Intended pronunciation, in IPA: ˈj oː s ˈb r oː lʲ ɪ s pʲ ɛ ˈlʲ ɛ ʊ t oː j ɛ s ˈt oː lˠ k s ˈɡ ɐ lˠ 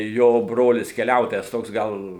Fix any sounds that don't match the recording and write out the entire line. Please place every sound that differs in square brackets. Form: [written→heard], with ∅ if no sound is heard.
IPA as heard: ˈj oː [s→∅] ˈb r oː lʲ ɪ s [pʲ→kʲ] ɛ ˈlʲ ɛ ʊ t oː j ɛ s ˈt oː [lˠ→∅] k s ˈɡ ɐ lˠ